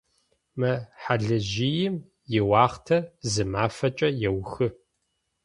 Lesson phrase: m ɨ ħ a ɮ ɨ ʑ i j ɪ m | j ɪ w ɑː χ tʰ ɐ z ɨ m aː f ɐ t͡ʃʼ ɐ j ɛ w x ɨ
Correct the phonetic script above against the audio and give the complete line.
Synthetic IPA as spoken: m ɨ ħ a ɮ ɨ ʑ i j ɪ m | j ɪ w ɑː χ tʰ ɐ z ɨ m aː f ɐ t͡ʃʼ ɐ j ɛ w x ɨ